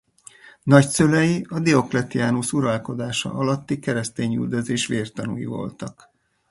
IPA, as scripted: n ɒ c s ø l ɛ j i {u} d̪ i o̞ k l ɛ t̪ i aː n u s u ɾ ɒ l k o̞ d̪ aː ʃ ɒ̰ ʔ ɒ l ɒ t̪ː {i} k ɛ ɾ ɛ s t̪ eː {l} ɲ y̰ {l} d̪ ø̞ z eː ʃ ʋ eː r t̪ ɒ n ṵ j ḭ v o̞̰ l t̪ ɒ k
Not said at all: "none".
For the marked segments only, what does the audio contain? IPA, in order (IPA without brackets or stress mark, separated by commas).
ɒ, i, none, l